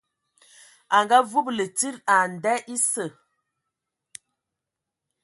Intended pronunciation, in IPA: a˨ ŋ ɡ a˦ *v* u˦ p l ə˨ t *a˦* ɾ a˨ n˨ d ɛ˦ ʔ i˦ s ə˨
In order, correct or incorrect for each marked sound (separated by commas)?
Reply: correct, incorrect